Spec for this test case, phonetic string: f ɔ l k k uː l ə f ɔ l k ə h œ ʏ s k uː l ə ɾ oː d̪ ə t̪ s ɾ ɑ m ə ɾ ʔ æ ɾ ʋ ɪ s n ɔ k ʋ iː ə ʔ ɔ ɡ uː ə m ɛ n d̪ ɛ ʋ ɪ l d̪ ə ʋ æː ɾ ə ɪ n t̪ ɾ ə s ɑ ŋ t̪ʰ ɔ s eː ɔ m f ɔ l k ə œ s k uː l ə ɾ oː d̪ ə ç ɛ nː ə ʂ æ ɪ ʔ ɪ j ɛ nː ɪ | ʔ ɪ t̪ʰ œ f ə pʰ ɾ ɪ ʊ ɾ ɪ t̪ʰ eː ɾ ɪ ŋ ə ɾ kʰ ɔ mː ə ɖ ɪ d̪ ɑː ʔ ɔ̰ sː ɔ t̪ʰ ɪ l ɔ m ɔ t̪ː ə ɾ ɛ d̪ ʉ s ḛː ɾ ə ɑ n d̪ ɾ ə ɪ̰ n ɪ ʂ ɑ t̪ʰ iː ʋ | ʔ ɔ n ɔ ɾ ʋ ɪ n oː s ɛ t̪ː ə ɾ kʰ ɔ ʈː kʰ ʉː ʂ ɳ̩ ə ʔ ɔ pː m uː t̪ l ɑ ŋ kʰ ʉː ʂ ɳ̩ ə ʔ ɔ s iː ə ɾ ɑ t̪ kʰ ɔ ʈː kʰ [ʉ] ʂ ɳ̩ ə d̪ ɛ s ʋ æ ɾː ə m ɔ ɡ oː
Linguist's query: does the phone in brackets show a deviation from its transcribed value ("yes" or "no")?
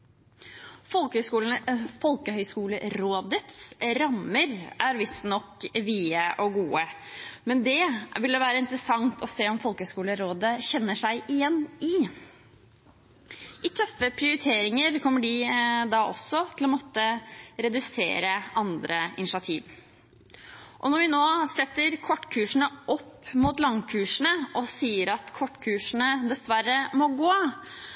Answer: yes